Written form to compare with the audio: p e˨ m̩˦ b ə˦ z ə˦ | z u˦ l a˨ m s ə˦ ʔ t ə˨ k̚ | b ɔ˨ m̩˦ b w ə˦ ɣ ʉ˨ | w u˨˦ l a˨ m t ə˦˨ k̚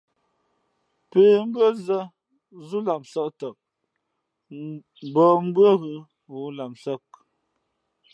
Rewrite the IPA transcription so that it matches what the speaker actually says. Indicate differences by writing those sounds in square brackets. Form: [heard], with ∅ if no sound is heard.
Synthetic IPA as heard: p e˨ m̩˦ b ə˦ z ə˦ | z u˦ l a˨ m s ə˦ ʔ t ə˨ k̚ | b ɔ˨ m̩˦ b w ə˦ ɣ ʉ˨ | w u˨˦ l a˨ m [s] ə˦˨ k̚

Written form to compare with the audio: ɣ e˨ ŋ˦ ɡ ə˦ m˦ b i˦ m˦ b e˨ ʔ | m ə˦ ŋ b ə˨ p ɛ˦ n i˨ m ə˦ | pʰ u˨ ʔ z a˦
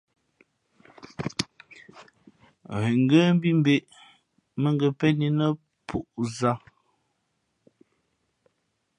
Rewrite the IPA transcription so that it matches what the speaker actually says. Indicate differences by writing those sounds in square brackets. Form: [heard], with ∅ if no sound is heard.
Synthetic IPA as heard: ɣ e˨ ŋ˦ ɡ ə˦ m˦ b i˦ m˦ b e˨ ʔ | m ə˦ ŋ [ɡ] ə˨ p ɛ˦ n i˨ [n] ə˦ | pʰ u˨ ʔ z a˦

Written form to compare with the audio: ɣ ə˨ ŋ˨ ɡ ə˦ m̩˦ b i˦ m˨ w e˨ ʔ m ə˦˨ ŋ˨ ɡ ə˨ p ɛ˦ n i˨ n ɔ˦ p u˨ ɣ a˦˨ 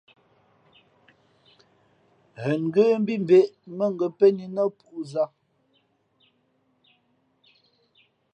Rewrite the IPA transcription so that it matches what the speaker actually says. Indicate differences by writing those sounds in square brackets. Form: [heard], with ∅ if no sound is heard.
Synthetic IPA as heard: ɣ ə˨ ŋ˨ ɡ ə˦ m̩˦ b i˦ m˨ [b] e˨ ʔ m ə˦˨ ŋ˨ ɡ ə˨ p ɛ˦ n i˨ n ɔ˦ p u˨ [z] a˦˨

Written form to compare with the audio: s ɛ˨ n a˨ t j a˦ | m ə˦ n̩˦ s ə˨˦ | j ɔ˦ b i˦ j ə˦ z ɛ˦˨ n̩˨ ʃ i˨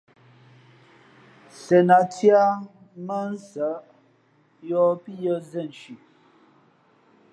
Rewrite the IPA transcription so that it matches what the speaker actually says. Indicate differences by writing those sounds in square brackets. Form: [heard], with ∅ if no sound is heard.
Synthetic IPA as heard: s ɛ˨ n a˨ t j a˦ | m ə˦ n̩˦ s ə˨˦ | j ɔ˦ [p] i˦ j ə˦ z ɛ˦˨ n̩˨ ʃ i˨

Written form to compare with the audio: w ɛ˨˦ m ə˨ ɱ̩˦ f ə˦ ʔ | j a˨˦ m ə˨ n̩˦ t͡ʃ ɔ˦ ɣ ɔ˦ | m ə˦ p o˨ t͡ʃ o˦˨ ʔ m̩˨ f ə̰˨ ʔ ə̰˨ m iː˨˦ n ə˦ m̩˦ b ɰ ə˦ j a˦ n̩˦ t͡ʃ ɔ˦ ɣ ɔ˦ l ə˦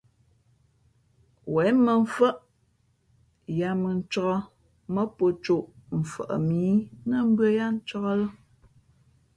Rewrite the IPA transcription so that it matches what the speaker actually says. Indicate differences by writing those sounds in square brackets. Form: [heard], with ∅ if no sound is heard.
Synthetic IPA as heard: w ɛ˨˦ m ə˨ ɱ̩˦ f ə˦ ʔ | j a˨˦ m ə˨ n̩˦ t͡ʃ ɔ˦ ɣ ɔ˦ | m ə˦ p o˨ t͡ʃ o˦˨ ʔ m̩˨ f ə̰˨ ʔ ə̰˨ m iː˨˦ n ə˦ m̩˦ b ɰ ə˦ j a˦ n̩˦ t͡ʃ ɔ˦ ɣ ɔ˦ l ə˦

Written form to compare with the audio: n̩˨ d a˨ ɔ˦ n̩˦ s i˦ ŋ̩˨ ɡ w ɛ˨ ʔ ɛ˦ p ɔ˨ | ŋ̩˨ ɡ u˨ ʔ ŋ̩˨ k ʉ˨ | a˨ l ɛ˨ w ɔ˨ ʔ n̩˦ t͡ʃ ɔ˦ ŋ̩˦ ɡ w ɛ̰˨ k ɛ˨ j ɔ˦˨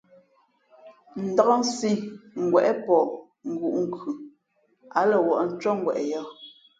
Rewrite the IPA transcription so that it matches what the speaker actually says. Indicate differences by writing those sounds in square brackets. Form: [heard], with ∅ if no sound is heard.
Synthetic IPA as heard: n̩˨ d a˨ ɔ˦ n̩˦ s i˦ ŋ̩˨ ɡ w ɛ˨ ʔ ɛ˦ p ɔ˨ | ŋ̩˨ ɡ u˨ ʔ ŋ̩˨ k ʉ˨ | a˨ l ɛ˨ w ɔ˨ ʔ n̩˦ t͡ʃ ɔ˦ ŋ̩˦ ɡ w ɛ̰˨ [ʔ] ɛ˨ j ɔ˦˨

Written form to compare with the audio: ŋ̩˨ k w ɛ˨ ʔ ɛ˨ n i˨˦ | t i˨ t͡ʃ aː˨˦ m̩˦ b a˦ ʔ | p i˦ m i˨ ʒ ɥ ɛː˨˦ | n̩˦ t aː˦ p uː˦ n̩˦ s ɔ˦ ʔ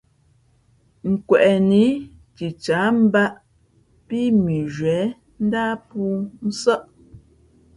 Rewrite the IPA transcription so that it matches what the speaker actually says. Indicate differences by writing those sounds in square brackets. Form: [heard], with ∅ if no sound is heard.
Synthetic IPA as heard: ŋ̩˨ k w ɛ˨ ʔ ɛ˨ n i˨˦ | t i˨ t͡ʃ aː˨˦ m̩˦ b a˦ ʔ | p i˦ m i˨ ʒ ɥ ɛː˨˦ | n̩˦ [d] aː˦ p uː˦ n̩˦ s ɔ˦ ʔ

